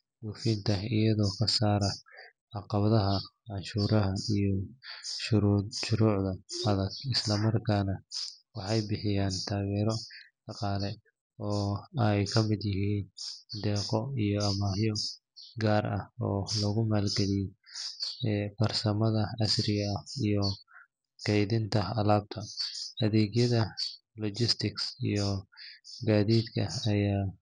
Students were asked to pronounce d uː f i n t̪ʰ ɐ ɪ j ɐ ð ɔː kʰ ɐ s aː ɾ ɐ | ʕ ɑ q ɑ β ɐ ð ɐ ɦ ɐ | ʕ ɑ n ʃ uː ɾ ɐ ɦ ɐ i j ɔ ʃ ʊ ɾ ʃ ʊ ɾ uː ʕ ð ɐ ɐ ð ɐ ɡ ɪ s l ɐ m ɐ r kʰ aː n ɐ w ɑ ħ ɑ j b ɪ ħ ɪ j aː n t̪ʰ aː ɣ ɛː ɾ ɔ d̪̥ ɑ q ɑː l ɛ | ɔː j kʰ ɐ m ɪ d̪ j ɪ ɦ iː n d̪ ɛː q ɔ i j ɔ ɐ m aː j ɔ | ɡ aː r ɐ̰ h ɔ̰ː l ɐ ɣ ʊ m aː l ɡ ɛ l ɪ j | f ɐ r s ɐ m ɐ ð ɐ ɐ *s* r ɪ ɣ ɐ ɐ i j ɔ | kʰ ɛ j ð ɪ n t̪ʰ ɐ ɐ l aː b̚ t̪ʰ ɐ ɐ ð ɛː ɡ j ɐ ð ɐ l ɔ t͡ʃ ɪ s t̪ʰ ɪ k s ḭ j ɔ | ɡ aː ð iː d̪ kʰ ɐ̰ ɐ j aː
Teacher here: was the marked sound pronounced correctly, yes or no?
yes